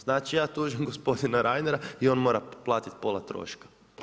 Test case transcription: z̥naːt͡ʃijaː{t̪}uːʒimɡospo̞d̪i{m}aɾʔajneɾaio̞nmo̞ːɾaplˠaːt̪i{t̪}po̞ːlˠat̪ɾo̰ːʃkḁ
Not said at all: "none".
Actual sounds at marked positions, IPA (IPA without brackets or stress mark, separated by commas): t̪, n, t̪